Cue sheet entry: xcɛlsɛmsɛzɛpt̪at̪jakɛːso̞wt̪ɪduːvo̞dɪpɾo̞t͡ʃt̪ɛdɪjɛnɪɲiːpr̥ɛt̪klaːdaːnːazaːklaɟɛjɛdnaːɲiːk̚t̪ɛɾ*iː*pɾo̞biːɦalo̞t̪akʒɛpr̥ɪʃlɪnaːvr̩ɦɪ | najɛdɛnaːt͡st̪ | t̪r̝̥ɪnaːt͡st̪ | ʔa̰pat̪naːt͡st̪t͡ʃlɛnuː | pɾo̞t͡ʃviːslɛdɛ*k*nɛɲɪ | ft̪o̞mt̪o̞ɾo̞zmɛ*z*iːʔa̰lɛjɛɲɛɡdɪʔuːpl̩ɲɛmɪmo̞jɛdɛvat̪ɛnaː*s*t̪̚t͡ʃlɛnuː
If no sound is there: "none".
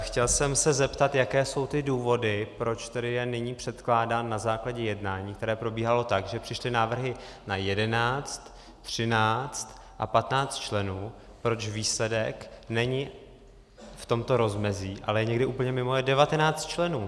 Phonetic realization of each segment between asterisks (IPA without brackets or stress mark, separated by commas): ɛː, k, z, t͡s